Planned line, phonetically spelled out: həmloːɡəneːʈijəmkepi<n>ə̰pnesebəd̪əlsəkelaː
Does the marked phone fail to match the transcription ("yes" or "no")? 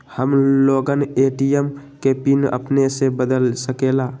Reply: no